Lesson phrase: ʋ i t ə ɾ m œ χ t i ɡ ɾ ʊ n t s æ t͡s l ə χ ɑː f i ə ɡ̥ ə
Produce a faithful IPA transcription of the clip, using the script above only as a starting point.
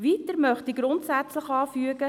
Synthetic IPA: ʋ i t ə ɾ m œ χ t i ɡ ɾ ʊ n t s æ t͡s l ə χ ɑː f y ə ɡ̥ ə